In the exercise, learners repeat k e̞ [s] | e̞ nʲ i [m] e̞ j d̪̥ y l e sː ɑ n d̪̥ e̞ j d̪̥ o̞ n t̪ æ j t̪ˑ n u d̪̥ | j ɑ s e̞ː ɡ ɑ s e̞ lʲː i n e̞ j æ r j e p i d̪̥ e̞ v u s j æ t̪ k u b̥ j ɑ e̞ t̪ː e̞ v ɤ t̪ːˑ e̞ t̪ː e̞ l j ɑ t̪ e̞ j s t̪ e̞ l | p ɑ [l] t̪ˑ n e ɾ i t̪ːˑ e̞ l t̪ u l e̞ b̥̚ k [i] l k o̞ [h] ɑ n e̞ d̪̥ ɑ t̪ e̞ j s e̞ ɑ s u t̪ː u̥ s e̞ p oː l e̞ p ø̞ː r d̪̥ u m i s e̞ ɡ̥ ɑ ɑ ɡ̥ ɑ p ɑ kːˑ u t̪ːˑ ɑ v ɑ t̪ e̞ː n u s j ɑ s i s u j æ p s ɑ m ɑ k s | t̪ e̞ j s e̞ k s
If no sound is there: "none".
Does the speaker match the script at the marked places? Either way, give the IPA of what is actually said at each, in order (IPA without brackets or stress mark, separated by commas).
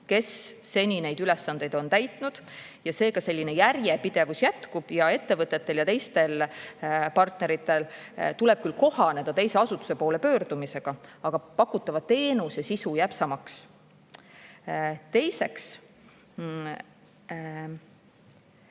sː, n, r, y, h